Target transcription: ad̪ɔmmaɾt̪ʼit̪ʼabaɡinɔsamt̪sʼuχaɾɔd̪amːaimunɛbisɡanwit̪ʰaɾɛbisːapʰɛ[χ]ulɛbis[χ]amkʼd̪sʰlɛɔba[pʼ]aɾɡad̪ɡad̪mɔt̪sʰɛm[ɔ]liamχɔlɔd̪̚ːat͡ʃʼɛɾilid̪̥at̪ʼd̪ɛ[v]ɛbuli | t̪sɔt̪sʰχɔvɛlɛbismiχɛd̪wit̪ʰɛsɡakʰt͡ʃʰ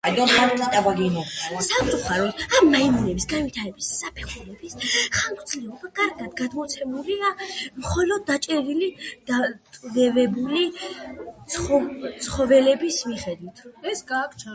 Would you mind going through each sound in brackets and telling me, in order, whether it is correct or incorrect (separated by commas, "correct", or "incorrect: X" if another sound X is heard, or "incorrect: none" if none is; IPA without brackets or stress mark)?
correct, correct, incorrect: kʼ, incorrect: u, correct